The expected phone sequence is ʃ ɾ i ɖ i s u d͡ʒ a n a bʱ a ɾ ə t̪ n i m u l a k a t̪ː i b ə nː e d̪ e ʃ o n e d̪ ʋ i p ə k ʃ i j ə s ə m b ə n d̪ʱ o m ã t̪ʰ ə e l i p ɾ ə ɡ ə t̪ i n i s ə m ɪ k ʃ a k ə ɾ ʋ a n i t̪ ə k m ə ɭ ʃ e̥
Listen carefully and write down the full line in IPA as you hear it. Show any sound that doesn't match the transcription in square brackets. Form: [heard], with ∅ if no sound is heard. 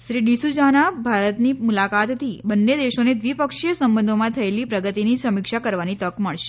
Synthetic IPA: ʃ ɾ i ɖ i s u d͡ʒ a n a bʱ a ɾ ə t̪ n i m u l a k a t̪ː i b ə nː e d̪ e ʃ o n e d̪ ʋ i p ə k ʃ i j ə s ə m b ə n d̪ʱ o m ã t̪ʰ ə e l i p ɾ ə ɡ ə t̪ i n i s ə m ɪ k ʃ a k ə ɾ ʋ a n i t̪ ə k m ə ɭ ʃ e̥